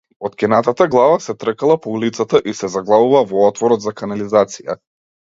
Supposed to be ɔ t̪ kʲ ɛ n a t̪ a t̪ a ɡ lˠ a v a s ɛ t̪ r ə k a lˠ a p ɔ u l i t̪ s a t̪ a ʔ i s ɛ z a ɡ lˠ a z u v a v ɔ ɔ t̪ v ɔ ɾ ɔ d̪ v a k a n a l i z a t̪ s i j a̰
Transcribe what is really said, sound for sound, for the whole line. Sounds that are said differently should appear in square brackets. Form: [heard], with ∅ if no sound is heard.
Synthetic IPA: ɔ t̪ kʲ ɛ n a t̪ a t̪ a ɡ lˠ a v a s ɛ t̪ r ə k a lˠ a p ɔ u l i t̪ s a t̪ a ʔ i s ɛ z a ɡ lˠ a [v] u v a v ɔ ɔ t̪ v ɔ ɾ ɔ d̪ [z] a k a n a l i z a t̪ s i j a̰